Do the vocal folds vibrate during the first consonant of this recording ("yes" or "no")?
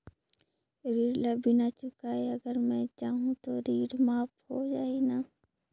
yes